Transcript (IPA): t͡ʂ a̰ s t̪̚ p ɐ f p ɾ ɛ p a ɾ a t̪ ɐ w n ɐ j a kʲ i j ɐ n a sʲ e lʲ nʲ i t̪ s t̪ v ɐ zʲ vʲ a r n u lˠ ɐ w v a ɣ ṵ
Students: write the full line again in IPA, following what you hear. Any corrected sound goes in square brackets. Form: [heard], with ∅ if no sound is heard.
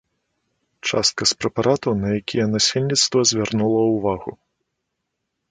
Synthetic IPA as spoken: t͡ʂ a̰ s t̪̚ [k] ɐ [s] p ɾ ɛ p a ɾ a t̪ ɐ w n ɐ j a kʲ i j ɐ n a sʲ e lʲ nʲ i t̪ s t̪ v ɐ zʲ vʲ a r n u lˠ ɐ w v a ɣ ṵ

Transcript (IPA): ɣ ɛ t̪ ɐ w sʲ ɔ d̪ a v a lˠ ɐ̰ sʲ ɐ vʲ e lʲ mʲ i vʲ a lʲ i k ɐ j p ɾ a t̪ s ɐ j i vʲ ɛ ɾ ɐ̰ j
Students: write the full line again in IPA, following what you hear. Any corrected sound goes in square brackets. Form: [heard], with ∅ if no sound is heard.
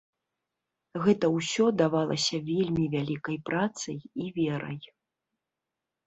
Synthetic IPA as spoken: ɣ ɛ t̪ ɐ w sʲ ɔ d̪ a v a lˠ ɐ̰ sʲ ɐ vʲ e lʲ mʲ i vʲ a lʲ i k ɐ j p ɾ a t̪ s ɐ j i vʲ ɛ ɾ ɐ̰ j

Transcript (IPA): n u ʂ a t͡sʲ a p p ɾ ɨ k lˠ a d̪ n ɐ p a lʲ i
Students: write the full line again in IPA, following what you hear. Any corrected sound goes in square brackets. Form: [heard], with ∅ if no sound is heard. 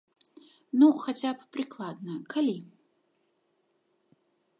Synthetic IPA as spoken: n u [x] a t͡sʲ a p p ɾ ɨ k lˠ a d̪ n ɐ [k] a lʲ i

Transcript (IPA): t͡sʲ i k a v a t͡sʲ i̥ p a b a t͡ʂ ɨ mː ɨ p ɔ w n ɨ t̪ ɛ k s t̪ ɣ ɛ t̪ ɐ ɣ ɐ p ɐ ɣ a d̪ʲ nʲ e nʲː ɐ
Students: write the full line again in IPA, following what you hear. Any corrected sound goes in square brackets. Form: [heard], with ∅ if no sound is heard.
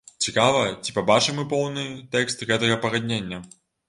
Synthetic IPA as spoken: t͡sʲ i k a v [ɐ] t͡sʲ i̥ p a b a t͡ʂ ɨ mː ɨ p ɔ w n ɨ t̪ ɛ k s t̪ ɣ ɛ t̪ ɐ ɣ ɐ p ɐ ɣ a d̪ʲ nʲ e nʲː ɐ

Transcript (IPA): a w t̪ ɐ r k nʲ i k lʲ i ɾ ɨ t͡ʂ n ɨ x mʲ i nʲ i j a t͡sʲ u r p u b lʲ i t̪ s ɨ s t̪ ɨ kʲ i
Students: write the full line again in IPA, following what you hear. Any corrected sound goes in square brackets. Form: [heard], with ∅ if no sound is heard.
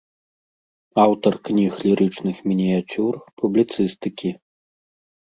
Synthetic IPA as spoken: a w t̪ ɐ r k nʲ i [x] lʲ i ɾ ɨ t͡ʂ n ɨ x mʲ i nʲ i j a t͡sʲ u r p u b lʲ i t̪ s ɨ s t̪ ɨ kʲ i

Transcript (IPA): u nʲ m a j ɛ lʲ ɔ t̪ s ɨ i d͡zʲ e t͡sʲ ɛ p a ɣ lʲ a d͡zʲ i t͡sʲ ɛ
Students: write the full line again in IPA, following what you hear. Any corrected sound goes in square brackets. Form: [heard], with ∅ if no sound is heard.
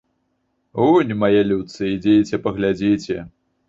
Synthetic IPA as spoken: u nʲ m a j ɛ lʲ [u] t̪ s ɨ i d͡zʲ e t͡sʲ ɛ p [ɐ] ɣ lʲ a d͡zʲ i t͡sʲ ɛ

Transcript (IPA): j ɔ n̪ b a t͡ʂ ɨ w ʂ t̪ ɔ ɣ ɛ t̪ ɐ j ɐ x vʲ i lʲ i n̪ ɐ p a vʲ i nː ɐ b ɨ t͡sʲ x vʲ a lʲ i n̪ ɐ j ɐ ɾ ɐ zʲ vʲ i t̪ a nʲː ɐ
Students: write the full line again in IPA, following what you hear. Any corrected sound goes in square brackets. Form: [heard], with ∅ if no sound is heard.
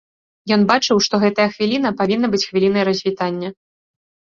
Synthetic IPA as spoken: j ɔ n̪ b a t͡ʂ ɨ w ʂ t̪ ɔ ɣ ɛ t̪ ɐ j ɐ x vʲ i lʲ i n̪ ɐ p a vʲ i nː ɐ b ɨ t͡sʲ x vʲ [i] lʲ i n̪ ɐ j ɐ ɾ ɐ zʲ vʲ i t̪ a nʲː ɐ

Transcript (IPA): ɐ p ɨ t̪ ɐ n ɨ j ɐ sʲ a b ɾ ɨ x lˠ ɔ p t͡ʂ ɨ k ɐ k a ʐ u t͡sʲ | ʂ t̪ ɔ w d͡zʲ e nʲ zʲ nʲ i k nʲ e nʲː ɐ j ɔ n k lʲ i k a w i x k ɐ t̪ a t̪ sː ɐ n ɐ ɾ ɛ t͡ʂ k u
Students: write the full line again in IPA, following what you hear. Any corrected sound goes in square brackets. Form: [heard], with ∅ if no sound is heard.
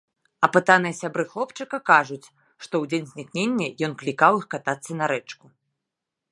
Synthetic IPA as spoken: ɐ p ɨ t̪ [a] n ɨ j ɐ sʲ a b ɾ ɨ x lˠ ɔ p t͡ʂ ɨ k ɐ k a ʐ u t͡sʲ | ʂ t̪ ɔ w d͡zʲ e nʲ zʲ nʲ i k nʲ e nʲː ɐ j ɔ n k lʲ i k a w i x k [a] t̪ a t̪ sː ɐ n ɐ ɾ ɛ t͡ʂ k u

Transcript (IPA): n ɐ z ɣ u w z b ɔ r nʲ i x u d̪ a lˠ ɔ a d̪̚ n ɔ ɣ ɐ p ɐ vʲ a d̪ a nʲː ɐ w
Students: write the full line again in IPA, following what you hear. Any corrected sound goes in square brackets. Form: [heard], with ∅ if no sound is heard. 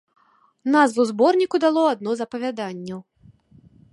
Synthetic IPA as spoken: n [a] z [v] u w z b ɔ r nʲ i [k] u d̪ a lˠ ɔ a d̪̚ n ɔ [z] ɐ p ɐ vʲ a d̪ a nʲː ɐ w

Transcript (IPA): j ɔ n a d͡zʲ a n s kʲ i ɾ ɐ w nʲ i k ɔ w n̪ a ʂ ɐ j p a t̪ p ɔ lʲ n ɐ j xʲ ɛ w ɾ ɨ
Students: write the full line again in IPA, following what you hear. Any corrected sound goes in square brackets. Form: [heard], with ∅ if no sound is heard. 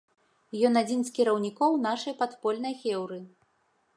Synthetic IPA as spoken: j ɔ n a d͡zʲ [i] n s kʲ i ɾ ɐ w nʲ i k ɔ w n̪ a ʂ ɐ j p a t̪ p ɔ lʲ n ɐ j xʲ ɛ w ɾ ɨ

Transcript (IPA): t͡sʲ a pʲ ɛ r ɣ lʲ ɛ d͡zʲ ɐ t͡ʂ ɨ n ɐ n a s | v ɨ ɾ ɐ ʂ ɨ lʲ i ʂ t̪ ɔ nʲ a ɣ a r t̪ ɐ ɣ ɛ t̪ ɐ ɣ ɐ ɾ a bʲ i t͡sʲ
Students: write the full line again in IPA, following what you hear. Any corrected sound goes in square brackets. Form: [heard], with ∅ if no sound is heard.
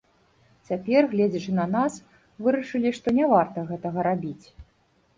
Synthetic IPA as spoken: t͡sʲ a pʲ ɛ r ɣ lʲ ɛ d͡zʲ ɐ t͡ʂ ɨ n ɐ n a s | v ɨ ɾ ɐ ʂ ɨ lʲ i ʂ t̪ ɔ nʲ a [v] a r t̪ ɐ ɣ ɛ t̪ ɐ ɣ ɐ ɾ a bʲ i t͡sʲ

